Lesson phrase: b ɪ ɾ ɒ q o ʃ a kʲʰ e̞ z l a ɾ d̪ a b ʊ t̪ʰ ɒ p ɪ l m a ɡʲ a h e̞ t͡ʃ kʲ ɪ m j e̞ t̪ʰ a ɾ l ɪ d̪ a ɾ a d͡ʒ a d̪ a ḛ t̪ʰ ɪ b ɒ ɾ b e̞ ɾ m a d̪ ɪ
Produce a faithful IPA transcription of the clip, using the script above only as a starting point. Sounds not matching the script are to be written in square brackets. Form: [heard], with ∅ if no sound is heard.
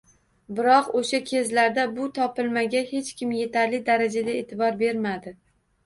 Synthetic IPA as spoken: b ɪ ɾ ɒ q o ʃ a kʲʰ e̞ z l a ɾ d̪ a b ʊ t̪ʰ ɒ p ɪ l m a ɡʲ a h e̞ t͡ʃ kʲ ɪ m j e̞ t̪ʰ a ɾ l ɪ d̪ a ɾ a d͡ʒ a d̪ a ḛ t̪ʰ ɪ b ɒ ɾ b e̞ ɾ m a d̪ ɪ